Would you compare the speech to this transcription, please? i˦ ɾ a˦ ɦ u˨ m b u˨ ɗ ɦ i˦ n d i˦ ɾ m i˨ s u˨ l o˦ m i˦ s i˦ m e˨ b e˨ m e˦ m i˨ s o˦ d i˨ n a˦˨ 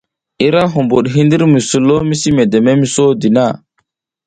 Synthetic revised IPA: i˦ ɾ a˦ ɦ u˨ m b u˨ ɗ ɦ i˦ n d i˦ ɾ m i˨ s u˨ l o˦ m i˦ s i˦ m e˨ d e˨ m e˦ m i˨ s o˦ d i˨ n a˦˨